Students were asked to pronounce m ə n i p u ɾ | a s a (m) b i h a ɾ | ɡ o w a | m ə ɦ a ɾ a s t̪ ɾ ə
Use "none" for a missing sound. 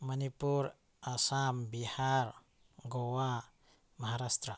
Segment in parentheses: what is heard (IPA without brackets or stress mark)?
m